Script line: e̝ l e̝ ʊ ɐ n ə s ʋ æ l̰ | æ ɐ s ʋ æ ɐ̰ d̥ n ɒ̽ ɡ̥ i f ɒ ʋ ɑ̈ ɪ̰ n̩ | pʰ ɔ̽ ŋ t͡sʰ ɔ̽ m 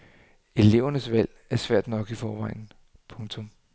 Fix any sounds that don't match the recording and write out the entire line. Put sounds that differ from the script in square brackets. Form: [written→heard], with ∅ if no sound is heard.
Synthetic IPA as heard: e̝ l e̝ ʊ ɐ n ə s ʋ æ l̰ | æ ɐ s ʋ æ ɐ̰ d̥ n ɒ̽ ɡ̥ i f [ɒ→ɒː] ʋ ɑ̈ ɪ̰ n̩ | pʰ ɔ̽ ŋ t͡sʰ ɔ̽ m